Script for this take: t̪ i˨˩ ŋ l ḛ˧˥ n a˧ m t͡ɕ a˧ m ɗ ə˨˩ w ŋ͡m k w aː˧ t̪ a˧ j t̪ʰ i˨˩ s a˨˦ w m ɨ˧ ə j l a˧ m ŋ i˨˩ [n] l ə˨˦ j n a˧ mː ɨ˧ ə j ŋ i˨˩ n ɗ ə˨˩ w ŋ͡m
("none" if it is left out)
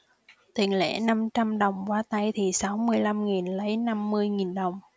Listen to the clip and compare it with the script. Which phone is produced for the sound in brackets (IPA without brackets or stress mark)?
n